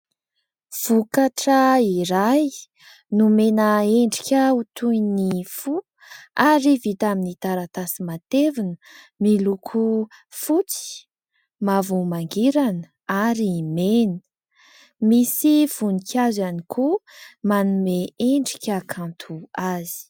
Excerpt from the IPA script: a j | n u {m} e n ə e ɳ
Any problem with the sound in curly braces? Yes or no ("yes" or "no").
no